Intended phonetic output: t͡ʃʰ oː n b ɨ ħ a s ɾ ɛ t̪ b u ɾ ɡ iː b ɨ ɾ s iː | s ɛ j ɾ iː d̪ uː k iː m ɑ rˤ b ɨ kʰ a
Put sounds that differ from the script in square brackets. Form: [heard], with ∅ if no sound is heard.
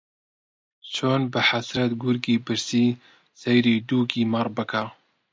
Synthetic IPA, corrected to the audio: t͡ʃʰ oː n b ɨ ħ a s ɾ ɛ t̪ [ɡ] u ɾ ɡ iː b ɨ ɾ s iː | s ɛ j ɾ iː d̪ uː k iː m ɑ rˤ b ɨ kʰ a